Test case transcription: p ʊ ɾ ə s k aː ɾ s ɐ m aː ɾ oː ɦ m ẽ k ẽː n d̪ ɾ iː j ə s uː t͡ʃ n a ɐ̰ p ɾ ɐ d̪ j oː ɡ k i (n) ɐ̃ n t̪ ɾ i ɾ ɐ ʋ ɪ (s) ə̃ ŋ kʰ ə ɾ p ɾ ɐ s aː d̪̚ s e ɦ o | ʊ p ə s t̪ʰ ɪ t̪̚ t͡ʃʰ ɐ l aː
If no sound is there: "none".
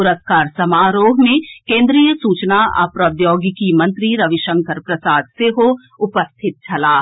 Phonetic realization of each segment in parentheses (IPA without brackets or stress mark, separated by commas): m, ʃ